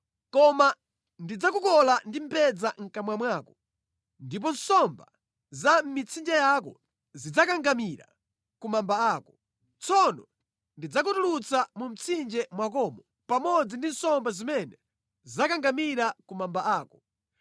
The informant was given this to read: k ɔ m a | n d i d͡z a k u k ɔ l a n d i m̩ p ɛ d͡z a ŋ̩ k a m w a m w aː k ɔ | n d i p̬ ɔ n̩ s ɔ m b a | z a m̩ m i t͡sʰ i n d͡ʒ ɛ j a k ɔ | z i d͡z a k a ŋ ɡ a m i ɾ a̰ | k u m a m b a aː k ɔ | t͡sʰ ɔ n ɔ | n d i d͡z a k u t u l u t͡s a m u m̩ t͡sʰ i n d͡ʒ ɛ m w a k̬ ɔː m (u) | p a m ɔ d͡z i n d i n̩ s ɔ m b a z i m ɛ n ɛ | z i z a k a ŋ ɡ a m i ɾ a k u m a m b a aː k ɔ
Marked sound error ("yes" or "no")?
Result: yes